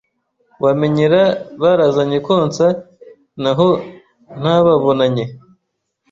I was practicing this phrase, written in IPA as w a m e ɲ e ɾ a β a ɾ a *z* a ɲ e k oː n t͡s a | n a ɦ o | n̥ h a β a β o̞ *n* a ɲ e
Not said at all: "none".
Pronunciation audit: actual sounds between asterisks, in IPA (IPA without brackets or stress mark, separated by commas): z, n